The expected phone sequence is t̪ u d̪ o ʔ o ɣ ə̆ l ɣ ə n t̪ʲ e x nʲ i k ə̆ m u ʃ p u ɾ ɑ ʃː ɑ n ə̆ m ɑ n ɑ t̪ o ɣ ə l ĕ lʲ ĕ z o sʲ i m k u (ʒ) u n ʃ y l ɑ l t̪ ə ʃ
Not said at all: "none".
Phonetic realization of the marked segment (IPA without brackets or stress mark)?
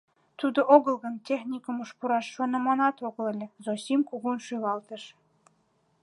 ɣ